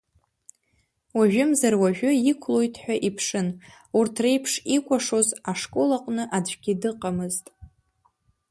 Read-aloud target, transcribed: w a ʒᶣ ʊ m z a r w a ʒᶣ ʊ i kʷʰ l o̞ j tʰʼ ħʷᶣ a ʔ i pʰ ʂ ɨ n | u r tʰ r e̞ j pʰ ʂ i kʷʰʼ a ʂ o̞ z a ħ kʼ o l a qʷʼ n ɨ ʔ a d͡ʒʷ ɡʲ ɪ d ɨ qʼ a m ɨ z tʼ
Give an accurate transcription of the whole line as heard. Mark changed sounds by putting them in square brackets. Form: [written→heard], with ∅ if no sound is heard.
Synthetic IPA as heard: w a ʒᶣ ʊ m z a r w a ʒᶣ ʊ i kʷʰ l o̞ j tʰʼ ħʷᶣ a ʔ i pʰ ʂ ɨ n | u r tʰ r e̞ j pʰ ʂ i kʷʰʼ a ʂ o̞ z a [ħ→ʂ] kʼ o l a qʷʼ n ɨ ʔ a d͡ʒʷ ɡʲ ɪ d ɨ qʼ a m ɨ z tʼ